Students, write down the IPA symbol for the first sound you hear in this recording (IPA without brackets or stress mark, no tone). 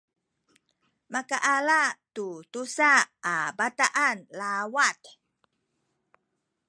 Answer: m